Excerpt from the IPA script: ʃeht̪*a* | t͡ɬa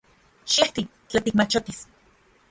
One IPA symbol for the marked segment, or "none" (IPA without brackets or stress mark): i